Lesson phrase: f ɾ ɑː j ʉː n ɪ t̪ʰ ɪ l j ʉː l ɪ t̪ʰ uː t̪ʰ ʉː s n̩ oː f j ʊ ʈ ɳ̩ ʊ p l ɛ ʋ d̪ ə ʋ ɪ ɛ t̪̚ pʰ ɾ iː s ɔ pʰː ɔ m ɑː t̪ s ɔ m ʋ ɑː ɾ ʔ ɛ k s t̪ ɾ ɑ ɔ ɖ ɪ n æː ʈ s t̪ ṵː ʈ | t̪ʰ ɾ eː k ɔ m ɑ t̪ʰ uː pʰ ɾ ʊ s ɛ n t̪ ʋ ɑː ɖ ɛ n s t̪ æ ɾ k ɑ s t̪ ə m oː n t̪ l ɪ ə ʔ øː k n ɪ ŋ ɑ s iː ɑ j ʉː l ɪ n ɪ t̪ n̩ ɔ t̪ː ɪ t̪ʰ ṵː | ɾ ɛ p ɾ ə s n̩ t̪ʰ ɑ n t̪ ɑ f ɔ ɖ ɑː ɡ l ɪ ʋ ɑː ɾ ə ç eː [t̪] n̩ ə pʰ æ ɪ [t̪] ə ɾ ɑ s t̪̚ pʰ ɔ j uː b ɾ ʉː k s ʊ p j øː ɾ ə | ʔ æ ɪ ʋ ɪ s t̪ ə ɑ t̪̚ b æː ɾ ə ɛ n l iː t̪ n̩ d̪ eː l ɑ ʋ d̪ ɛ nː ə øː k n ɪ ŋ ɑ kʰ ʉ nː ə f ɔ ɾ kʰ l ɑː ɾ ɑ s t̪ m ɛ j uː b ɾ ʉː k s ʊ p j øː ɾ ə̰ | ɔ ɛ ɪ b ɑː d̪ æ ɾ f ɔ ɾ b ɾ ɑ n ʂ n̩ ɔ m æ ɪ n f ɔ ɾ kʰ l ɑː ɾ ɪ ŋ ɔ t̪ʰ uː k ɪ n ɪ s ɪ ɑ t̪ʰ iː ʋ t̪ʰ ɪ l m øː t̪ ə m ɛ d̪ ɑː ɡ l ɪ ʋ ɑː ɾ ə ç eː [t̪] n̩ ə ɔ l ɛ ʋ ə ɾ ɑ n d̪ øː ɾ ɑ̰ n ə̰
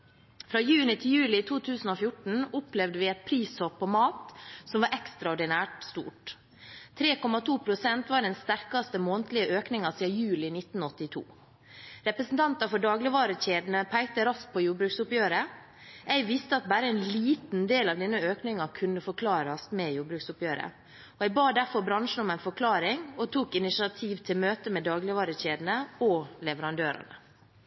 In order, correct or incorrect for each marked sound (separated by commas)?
incorrect, correct, incorrect